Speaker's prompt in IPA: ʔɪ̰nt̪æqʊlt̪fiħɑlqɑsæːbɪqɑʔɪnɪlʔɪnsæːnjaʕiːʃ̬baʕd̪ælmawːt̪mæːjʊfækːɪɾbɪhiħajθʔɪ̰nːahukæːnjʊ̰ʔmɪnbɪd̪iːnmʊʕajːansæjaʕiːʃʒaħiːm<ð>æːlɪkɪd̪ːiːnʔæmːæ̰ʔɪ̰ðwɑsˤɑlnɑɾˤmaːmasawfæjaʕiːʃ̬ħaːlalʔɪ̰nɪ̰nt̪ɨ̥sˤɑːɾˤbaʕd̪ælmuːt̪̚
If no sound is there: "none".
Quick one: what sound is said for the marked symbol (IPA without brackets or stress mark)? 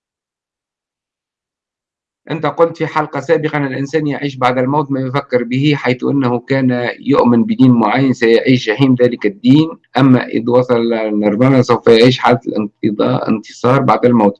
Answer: ð